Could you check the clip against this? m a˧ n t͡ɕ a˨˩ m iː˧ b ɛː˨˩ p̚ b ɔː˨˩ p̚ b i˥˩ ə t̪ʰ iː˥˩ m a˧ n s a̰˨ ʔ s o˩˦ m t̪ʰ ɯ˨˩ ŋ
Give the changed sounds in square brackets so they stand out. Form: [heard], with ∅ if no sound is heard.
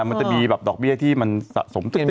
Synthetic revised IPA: m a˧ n t͡ɕ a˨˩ m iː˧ b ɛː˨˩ p̚ [d] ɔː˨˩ [k̚] b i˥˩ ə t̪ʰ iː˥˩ m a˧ n s a̰˨ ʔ s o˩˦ m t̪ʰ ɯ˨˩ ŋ